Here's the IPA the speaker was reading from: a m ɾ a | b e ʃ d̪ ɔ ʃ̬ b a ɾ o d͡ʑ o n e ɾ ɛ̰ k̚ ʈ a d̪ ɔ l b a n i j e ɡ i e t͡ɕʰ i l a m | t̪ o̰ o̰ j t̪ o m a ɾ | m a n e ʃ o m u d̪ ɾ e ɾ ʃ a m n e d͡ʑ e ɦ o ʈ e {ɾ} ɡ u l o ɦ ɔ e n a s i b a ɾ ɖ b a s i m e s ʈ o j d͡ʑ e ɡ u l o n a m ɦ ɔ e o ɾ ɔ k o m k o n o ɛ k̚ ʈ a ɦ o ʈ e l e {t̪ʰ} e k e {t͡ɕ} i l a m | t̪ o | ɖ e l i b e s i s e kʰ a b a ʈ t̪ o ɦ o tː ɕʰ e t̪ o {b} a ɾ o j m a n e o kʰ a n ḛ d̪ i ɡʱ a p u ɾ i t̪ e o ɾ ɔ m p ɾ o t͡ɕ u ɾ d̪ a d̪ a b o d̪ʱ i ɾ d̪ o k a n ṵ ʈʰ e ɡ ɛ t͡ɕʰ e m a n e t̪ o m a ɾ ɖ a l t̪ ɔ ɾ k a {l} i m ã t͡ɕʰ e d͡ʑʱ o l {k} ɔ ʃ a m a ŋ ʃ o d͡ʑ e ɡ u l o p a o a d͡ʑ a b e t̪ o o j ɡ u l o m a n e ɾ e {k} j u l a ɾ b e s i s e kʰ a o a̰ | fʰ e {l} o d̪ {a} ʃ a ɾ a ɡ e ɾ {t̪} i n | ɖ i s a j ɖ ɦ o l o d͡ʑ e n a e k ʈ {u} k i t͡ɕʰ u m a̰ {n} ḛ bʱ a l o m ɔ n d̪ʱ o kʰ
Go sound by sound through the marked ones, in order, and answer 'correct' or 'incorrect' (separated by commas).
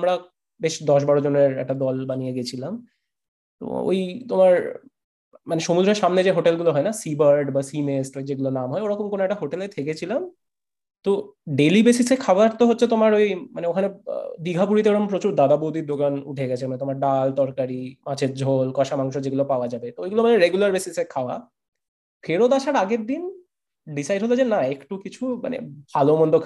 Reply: incorrect, correct, incorrect, incorrect, incorrect, correct, incorrect, incorrect, correct, incorrect, correct, correct